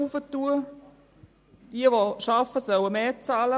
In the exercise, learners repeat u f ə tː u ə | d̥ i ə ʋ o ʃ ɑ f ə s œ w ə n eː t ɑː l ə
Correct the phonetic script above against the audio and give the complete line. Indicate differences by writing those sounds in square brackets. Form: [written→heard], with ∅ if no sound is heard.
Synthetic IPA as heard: u f ə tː u ə | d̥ i ə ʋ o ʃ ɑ f ə s œ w ə [n→m] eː [t→t͡s] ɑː l ə